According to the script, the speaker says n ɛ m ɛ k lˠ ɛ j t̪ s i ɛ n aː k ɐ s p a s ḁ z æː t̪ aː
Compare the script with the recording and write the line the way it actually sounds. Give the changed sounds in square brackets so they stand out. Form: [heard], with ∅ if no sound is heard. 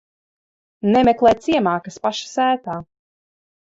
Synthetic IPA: n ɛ m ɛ k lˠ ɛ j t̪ s i ɛ [m] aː k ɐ s p a [ʃ] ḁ [s] æː t̪ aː